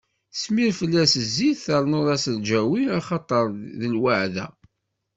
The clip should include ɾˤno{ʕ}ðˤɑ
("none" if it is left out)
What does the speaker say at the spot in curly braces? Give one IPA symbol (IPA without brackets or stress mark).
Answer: none